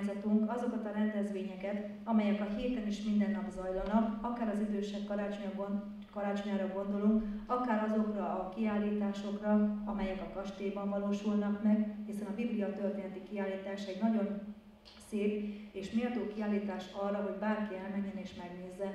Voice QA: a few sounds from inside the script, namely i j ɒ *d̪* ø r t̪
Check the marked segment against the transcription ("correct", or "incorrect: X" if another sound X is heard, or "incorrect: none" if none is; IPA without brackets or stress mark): incorrect: t̪